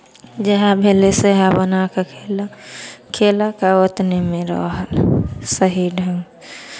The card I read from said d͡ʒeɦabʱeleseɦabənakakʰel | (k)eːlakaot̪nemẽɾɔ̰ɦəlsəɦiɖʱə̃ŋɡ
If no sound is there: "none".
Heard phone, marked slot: kʰ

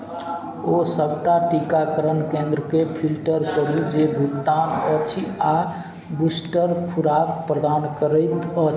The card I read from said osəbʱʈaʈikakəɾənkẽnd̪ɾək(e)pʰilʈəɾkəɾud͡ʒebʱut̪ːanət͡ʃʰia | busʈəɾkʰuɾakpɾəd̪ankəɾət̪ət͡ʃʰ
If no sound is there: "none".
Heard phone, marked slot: e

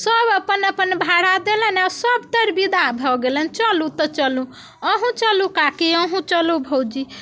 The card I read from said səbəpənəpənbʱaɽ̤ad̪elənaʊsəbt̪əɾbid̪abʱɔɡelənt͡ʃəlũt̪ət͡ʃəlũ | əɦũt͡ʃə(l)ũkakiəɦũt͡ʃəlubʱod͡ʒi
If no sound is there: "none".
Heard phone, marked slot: l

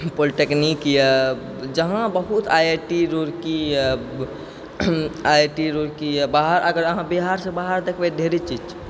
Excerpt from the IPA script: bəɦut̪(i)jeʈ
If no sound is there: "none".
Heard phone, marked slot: a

